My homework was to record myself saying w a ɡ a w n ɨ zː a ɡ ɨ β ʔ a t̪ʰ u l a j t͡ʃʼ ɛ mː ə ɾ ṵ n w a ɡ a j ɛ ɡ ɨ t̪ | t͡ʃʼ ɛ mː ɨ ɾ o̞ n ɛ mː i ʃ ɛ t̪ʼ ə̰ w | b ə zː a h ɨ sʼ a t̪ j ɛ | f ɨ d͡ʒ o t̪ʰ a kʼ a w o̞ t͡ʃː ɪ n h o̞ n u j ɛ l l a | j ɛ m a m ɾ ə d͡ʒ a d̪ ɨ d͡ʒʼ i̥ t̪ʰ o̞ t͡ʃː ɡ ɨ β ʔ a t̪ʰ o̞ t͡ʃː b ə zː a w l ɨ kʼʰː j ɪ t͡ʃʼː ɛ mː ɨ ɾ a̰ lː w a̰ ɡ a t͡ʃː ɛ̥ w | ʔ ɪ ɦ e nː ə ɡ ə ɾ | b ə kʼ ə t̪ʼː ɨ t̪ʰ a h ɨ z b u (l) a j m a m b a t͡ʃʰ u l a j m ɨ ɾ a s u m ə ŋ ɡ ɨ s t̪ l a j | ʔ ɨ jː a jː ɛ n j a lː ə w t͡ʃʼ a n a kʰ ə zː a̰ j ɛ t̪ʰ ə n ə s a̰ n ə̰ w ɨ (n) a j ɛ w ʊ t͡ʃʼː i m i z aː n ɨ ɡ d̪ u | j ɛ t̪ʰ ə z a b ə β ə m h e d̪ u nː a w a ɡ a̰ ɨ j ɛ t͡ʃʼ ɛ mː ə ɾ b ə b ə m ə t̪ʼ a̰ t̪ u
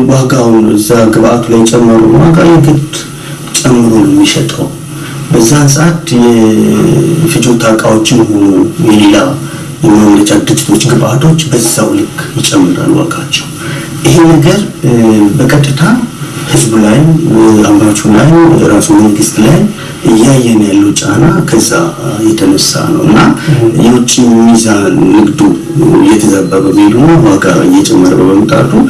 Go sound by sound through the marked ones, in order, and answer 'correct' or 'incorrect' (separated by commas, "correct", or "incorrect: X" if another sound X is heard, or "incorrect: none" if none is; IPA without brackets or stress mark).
correct, incorrect: nː